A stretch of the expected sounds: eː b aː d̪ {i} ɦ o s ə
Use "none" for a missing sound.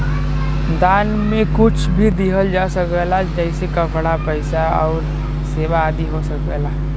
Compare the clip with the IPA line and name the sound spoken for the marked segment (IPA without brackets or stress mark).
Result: i